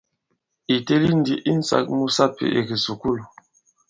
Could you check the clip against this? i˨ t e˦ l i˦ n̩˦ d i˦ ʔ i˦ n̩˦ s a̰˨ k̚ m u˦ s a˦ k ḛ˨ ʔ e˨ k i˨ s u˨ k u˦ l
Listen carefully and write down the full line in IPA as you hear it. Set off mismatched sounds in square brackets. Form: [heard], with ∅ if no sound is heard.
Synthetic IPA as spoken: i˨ t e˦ l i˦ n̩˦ d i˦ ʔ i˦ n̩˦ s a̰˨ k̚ m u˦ s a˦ [p] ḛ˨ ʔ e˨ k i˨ s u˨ k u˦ l